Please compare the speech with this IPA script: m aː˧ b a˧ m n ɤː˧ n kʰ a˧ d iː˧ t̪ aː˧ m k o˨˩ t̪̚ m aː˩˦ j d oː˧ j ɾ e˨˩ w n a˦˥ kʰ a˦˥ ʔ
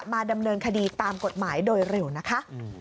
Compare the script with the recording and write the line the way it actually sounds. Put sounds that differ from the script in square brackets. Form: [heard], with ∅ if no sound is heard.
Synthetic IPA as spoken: m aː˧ [d] a˧ m n ɤː˧ n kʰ a˧ d iː˧ t̪ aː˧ m k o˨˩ t̪̚ m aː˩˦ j d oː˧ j ɾ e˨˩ w n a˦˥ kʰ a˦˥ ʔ